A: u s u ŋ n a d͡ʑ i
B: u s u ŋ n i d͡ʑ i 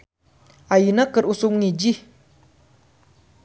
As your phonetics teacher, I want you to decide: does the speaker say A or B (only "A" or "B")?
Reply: B